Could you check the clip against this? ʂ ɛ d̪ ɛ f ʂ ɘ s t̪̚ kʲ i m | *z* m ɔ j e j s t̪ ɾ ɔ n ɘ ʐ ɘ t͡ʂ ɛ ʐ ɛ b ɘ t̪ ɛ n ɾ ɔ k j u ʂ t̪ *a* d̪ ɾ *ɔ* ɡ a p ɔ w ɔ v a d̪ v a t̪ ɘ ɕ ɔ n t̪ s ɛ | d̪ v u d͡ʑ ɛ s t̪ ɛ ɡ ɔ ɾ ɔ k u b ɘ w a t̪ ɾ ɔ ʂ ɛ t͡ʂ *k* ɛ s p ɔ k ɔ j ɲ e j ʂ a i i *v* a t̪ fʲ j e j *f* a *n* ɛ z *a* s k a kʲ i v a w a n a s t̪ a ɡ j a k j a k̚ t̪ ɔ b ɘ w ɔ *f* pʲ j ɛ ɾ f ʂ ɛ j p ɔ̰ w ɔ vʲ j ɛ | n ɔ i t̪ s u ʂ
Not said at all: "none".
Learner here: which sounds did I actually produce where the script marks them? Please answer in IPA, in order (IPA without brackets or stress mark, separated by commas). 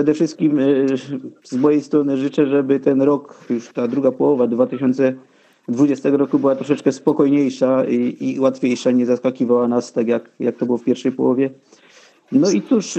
z, a, u, k, w, ʂ, ɲ, a, f